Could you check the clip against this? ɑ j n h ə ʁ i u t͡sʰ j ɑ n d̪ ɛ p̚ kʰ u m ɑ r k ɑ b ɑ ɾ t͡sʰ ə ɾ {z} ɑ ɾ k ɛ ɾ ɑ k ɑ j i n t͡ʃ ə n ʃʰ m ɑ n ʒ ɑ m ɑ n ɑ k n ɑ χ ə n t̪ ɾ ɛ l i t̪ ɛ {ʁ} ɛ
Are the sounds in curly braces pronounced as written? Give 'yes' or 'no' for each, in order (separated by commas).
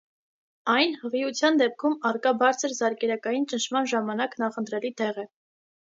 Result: yes, yes